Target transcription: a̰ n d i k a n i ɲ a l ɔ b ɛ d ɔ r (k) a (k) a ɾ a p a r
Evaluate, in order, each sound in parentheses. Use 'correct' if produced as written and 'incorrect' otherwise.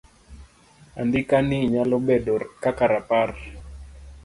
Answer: correct, correct

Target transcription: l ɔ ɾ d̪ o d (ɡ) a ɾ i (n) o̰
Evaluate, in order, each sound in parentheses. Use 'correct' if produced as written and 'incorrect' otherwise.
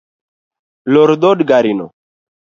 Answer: correct, correct

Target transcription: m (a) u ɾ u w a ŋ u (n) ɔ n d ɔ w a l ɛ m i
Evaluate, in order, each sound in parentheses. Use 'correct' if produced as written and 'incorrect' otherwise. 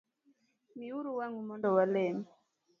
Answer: incorrect: i, incorrect: m

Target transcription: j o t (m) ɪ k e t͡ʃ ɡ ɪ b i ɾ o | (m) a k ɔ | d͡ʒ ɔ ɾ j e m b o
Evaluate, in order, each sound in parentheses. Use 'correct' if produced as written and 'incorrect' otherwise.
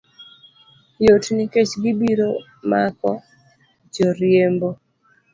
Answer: incorrect: n, correct

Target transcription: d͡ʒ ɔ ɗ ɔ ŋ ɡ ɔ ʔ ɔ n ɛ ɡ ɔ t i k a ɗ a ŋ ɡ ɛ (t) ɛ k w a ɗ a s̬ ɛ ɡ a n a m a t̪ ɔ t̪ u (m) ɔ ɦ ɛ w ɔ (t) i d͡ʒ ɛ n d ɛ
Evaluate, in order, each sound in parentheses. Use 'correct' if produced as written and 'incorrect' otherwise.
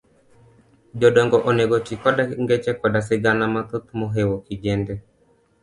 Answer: incorrect: t͡ʃ, correct, incorrect: k

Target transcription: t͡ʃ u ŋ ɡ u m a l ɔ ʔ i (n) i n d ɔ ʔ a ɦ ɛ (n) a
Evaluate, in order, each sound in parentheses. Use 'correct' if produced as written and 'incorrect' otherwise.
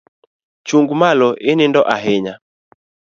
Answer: correct, incorrect: ɲ

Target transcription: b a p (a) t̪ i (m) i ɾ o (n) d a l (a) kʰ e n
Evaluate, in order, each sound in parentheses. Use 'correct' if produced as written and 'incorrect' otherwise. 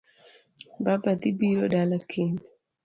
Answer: correct, incorrect: b, incorrect: none, correct

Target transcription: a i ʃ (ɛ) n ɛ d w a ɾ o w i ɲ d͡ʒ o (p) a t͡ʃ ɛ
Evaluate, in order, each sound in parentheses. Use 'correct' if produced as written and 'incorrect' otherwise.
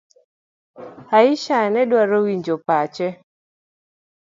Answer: incorrect: a, correct

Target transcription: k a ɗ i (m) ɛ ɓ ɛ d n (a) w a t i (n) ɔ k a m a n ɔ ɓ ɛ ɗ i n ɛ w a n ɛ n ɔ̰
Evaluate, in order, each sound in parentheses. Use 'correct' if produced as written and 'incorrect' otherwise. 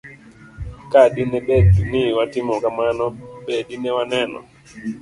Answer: incorrect: n, incorrect: i, incorrect: m

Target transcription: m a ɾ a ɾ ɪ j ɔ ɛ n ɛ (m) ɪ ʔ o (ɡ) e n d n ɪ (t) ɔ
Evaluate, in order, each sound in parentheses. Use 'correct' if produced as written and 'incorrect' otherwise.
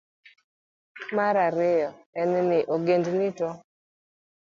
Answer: incorrect: n, correct, correct

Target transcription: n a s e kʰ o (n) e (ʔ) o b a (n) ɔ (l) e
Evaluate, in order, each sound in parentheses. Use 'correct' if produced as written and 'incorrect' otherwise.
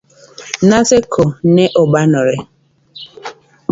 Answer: correct, correct, correct, incorrect: ɾ

